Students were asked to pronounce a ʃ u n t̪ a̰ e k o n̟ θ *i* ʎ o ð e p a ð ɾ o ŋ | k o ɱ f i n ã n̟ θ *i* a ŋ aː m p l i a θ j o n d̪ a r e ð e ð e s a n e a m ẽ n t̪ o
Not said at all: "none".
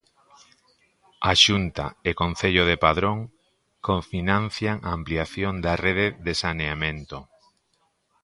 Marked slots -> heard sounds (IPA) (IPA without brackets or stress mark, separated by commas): e, j